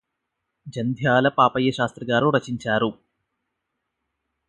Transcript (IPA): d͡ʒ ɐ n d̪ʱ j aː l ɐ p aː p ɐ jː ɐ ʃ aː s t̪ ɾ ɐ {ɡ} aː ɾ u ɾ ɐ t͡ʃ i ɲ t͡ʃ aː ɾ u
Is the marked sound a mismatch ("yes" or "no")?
no